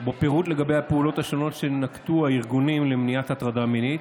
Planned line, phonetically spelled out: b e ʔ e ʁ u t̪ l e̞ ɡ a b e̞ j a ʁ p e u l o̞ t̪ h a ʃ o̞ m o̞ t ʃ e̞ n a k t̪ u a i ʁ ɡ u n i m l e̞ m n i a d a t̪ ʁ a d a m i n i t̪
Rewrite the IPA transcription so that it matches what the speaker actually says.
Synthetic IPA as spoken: b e p e ʁ u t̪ l e̞ ɡ a b e̞ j a p e u l o̞ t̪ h a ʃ o̞ n o̞ t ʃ e̞ n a k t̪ u a i ʁ ɡ u n i m l e̞ m n i a t a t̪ ʁ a d a m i n i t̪